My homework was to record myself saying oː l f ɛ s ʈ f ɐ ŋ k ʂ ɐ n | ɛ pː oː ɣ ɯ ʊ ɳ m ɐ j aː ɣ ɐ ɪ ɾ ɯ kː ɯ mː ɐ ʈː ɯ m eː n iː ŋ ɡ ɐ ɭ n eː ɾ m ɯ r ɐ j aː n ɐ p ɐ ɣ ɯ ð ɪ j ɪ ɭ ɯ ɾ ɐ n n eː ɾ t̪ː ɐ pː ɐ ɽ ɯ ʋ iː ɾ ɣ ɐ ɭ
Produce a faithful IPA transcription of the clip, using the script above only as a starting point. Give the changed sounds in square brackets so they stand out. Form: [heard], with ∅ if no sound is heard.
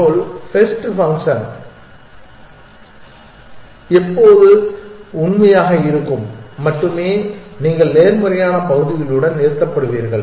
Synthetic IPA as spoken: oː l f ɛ s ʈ f ɐ ŋ k ʂ ɐ n | ɛ pː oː [ð] ɯ ʊ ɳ m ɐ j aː ɣ ɐ ɪ ɾ ɯ kː ɯ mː ɐ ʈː ɯ m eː n iː ŋ ɡ ɐ ɭ n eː ɾ m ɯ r ɐ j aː n ɐ p ɐ ɣ ɯ ð ɪ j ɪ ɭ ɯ [ɽ] ɐ n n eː ɾ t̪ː ɐ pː ɐ ɽ ɯ ʋ iː ɾ ɣ ɐ ɭ